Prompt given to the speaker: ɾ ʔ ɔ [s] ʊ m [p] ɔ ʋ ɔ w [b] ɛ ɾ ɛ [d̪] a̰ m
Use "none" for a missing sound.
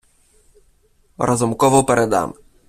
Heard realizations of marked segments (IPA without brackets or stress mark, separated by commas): z, k, p, d̪